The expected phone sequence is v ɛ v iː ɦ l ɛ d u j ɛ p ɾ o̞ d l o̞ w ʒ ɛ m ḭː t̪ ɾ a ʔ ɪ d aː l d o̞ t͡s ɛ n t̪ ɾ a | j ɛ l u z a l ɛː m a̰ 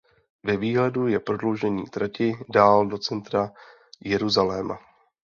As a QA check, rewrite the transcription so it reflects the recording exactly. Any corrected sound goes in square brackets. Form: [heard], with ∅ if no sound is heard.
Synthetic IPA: v ɛ v iː ɦ l ɛ d u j ɛ p ɾ o̞ d l o̞ w ʒ ɛ [ɲ] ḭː t̪ ɾ a [c] ɪ d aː l d o̞ t͡s ɛ n t̪ ɾ a | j ɛ [ɾ] u z a l ɛː m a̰

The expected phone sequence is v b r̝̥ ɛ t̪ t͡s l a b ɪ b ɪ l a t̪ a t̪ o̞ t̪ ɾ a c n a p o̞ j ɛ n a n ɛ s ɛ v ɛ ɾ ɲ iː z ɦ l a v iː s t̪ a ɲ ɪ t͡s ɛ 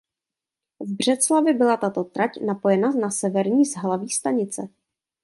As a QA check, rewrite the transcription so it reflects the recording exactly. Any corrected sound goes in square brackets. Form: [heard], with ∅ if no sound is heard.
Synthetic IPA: v b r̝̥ ɛ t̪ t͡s l a [v] ɪ b ɪ l a t̪ a t̪ o̞ t̪ ɾ a c n a p o̞ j ɛ n a n [a] s ɛ v ɛ ɾ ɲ iː z ɦ l a v iː s t̪ a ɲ ɪ t͡s ɛ

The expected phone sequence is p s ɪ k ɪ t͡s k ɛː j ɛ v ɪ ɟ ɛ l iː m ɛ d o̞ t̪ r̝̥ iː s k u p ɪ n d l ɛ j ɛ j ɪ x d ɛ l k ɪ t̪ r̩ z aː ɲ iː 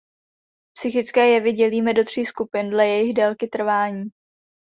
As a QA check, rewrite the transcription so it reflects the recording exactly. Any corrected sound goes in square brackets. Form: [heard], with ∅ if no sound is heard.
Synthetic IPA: p s ɪ [x] ɪ t͡s k ɛː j ɛ v ɪ ɟ ɛ l iː m ɛ d o̞ t̪ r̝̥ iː s k u p ɪ n d l ɛ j ɛ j ɪ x d ɛ l k ɪ t̪ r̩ [v] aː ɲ iː

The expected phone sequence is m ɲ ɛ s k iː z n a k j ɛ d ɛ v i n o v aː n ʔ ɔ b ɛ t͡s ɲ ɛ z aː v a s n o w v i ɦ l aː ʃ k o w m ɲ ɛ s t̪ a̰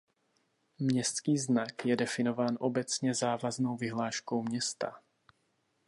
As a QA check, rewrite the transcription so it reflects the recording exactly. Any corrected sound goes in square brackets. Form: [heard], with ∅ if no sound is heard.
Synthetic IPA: m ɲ ɛ s k iː z n a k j ɛ d ɛ [f] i n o v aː n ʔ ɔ b ɛ t͡s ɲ ɛ z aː v a [z] n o w v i ɦ l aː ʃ k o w m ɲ ɛ s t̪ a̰

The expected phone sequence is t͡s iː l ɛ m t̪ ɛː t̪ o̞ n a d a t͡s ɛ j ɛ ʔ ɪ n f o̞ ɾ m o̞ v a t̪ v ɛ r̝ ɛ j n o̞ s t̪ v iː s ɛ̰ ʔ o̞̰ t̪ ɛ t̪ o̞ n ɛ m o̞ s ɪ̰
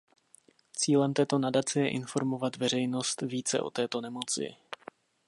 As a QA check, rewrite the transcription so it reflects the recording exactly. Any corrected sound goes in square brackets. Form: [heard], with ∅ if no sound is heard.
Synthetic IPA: t͡s iː l ɛ m t̪ ɛː t̪ o̞ n a d a t͡s ɛ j ɛ ʔ ɪ n f o̞ ɾ m o̞ v a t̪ v ɛ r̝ ɛ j n o̞ s t̪ v iː [t͡s] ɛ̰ ʔ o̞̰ t̪ [ɛː] t̪ o̞ n ɛ m o̞ [t͡s] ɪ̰

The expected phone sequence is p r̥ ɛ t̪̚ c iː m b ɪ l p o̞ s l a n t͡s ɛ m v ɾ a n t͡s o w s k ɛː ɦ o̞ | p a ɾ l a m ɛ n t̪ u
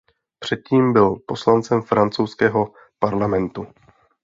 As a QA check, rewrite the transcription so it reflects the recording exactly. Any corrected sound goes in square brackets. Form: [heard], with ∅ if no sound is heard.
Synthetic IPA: p r̥ ɛ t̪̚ c iː m b ɪ l p o̞ s l a n t͡s ɛ m [f] ɾ a n t͡s o w s k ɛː ɦ o̞ | p a ɾ l a m ɛ n t̪ u

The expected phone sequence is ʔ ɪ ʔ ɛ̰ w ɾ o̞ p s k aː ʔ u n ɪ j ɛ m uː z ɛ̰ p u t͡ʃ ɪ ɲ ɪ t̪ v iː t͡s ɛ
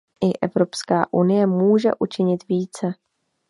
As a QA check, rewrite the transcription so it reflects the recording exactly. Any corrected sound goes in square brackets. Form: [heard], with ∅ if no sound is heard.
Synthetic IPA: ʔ ɪ ʔ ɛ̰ [v] ɾ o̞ p s k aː ʔ u n ɪ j ɛ m uː [ʒ] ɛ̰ [ʔ] u t͡ʃ ɪ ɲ ɪ t̪ v iː t͡s ɛ

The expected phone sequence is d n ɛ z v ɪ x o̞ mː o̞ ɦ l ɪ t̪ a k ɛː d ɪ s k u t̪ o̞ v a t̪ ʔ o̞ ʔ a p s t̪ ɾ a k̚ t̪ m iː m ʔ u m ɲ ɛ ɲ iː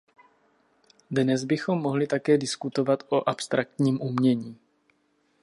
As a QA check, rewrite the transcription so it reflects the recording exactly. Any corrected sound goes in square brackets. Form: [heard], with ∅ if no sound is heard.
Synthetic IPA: d n ɛ z [b] ɪ x o̞ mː o̞ ɦ l ɪ t̪ a k ɛː d ɪ s k u t̪ o̞ v a t̪ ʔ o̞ ʔ a p s t̪ ɾ a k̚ t̪ [ɲ] iː m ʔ u m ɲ ɛ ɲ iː

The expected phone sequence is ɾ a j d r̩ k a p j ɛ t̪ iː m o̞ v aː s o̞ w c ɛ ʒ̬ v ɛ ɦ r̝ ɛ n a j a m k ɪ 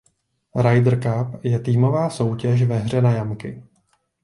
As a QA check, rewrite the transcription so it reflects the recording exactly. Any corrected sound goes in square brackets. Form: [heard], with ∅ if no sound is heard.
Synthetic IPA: ɾ a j d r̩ k a p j ɛ t̪ iː m o̞ v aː s o̞ w c ɛ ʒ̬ v ɛ ɦ r̝ ɛ n a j a m k ɪ

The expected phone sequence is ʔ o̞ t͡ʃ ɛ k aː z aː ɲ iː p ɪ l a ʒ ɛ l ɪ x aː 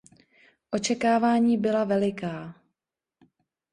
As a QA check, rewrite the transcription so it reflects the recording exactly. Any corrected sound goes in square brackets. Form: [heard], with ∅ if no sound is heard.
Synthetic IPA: ʔ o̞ t͡ʃ ɛ k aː [v] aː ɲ iː [b] ɪ l a [v] ɛ l ɪ [k] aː

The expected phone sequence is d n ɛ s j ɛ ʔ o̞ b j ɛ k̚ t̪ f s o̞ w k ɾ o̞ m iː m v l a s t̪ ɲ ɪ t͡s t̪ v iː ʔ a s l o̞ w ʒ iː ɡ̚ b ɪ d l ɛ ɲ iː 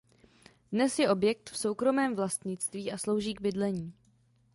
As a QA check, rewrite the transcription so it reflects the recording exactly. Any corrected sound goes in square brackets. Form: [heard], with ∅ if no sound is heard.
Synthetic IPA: d n ɛ s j ɛ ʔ o̞ b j ɛ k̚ t̪ f s o̞ w k ɾ o̞ m [ɛː] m v l a s t̪ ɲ ɪ t͡s t̪ v iː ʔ a s l o̞ w ʒ iː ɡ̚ b ɪ d l ɛ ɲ iː

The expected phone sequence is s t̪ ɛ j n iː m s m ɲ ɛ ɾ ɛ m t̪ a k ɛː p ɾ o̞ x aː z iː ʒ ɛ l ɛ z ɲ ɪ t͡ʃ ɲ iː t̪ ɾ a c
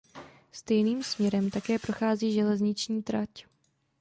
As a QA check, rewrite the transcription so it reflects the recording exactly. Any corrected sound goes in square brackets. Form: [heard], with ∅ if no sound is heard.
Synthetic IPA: s t̪ ɛ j n iː m s m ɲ ɛ ɾ ɛ m t̪ a k ɛː p ɾ o̞ x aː z iː ʒ ɛ l ɛ z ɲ ɪ t͡ʃ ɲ iː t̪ ɾ a c

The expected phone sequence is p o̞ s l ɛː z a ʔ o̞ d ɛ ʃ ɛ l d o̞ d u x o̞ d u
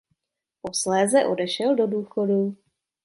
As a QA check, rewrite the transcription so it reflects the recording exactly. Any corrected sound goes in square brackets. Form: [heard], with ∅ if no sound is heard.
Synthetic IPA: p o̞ s l ɛː z [ɛ] ʔ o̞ d ɛ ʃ ɛ l d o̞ d [uː] x o̞ d u

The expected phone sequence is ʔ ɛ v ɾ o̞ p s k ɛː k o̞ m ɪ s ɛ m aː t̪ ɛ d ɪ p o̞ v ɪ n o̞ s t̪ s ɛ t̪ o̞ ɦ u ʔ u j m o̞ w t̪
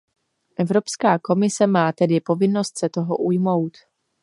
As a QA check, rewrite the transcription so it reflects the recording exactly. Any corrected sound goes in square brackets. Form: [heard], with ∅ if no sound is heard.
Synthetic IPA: ʔ ɛ v ɾ o̞ p s k [aː] k o̞ m ɪ s ɛ m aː t̪ ɛ d ɪ p o̞ v ɪ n o̞ s t̪ s ɛ t̪ o̞ ɦ [o] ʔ u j m o̞ w t̪

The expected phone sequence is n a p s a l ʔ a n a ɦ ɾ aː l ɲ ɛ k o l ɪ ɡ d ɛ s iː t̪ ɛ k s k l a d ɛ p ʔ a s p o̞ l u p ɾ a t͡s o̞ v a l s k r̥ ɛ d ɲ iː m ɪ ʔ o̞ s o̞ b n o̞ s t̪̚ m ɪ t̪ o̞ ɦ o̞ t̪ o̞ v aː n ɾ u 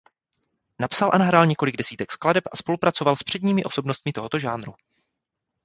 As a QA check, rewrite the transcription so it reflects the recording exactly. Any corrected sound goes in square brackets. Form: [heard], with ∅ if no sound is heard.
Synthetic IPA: n a p s a l ʔ a n a ɦ ɾ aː l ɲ ɛ k o l ɪ ɡ d ɛ s iː t̪ ɛ k s k l a d ɛ p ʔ a s p o̞ l u p ɾ a t͡s o̞ v a l s [p] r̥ ɛ d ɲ iː m ɪ ʔ o̞ s o̞ b n o̞ s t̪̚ m ɪ t̪ o̞ ɦ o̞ t̪ o̞ [ʒ] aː n ɾ u

